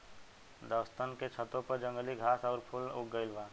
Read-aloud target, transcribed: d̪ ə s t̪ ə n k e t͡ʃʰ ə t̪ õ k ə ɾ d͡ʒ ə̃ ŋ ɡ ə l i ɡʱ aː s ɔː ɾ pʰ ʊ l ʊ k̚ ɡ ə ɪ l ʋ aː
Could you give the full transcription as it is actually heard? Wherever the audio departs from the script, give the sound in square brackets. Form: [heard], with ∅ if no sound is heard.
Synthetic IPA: d̪ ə s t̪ ə n k e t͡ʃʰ ə t̪ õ [p] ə ɾ d͡ʒ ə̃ ŋ ɡ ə l i ɡʱ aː s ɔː ɾ pʰ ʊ l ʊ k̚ ɡ ə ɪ l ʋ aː